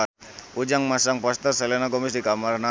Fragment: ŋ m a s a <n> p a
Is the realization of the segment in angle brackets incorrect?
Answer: yes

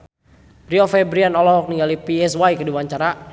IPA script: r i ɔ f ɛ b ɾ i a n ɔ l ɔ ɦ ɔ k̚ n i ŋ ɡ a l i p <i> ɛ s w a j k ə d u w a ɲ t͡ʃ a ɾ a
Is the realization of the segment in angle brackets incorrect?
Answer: no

